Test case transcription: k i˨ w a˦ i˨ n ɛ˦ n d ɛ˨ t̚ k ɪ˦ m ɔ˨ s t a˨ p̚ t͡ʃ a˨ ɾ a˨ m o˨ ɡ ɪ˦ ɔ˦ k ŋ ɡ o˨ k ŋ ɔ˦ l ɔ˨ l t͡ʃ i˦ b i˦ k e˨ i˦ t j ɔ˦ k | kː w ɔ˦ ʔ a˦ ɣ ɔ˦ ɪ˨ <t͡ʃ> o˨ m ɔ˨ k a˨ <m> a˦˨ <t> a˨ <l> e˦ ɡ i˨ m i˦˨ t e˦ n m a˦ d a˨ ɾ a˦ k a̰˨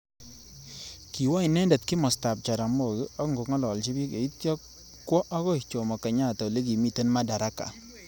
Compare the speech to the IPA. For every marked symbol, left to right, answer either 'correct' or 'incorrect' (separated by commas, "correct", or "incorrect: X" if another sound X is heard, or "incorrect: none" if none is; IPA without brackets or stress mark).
correct, incorrect: ɲ, correct, correct